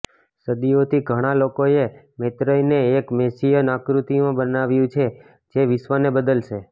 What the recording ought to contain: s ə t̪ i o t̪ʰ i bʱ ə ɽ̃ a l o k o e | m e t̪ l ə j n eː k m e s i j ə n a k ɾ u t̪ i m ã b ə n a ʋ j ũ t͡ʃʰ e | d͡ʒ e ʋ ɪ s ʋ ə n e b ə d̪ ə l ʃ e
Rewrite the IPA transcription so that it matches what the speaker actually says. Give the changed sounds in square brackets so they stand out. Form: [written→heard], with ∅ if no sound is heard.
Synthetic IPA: s ə [t̪→d̪] i o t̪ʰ i [bʱ→ɡʱ] ə ɽ̃ a l o k o e | m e t̪ [l→ɾ] ə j n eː k m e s i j ə n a k ɾ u t̪ i m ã b ə n a ʋ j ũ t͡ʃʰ e | d͡ʒ e ʋ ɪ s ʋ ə n e b ə d̪ ə l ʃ e